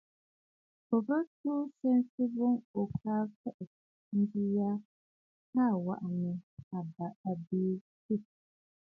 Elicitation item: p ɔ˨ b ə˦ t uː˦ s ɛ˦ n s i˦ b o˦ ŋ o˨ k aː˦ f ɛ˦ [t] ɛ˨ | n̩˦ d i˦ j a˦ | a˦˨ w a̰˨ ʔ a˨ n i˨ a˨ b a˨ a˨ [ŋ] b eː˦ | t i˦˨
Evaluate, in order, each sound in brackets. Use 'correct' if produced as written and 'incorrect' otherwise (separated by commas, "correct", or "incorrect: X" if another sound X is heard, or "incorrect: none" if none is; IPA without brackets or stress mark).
incorrect: ʔ, incorrect: none